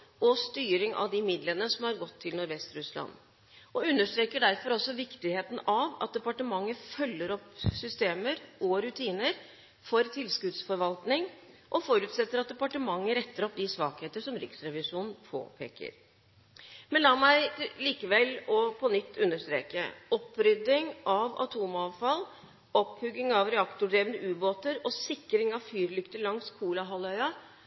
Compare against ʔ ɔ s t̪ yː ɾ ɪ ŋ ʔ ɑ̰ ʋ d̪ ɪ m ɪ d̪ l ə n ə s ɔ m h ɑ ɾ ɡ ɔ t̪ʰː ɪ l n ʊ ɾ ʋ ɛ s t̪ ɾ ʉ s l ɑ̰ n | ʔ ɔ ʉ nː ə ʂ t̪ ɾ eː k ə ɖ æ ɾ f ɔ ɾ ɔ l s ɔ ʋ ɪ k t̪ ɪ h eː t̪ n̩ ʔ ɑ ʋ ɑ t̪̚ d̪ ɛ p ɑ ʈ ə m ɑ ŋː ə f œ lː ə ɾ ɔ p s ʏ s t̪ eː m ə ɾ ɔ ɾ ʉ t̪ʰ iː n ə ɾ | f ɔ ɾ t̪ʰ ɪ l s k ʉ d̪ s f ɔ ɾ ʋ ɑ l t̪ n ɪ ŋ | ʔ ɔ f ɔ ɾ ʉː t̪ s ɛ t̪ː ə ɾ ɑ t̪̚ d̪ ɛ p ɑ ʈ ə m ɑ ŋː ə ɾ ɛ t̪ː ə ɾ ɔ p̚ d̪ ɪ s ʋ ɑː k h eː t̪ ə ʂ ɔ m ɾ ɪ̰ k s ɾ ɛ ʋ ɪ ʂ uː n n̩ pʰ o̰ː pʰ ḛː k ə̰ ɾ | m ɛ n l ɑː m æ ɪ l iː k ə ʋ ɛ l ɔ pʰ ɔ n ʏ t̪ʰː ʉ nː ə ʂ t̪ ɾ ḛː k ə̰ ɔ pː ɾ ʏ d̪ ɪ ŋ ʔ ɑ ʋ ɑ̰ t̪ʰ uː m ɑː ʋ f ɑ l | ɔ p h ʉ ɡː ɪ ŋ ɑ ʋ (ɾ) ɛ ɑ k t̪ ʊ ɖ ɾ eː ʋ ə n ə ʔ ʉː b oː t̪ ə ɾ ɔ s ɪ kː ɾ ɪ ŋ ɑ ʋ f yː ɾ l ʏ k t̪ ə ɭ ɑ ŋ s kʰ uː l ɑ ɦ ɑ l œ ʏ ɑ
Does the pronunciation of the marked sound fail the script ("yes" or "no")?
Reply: no